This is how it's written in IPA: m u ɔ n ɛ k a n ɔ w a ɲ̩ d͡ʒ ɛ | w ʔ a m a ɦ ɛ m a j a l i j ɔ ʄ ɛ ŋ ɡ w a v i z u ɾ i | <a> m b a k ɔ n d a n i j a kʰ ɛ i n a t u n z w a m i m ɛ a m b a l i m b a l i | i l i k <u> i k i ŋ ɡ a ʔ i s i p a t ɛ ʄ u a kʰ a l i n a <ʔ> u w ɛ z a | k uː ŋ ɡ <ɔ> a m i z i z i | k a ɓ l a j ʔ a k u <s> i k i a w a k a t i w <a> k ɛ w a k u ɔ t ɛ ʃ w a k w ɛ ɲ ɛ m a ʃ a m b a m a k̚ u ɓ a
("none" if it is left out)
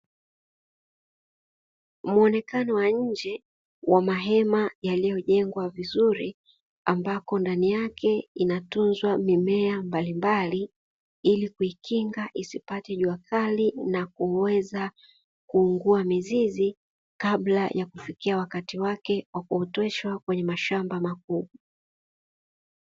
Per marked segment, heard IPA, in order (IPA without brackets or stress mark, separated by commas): a, u, k, u, f, a